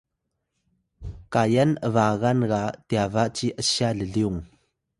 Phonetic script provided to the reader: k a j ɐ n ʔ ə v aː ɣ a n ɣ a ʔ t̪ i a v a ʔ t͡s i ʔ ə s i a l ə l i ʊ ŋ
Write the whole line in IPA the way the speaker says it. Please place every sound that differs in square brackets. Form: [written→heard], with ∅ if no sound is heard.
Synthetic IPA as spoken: k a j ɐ n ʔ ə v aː ɣ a n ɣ a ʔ t̪ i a v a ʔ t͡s i ʔ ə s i a l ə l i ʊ ŋ